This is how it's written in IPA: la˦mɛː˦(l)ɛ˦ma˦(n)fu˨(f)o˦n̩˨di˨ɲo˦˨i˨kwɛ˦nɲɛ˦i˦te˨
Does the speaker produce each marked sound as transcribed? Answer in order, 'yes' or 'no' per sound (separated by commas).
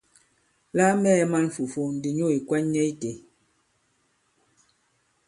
no, yes, yes